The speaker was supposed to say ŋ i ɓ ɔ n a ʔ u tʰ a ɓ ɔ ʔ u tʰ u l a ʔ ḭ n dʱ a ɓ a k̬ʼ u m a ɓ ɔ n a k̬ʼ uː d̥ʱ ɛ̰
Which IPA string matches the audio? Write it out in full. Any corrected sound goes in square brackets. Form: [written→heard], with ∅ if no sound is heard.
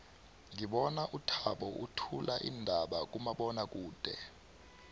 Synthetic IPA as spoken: ŋ i ɓ ɔ n a ʔ u tʰ a ɓ ɔ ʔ u tʰ u l a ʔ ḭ n dʱ a ɓ a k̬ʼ u m a ɓ ɔ n a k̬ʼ uː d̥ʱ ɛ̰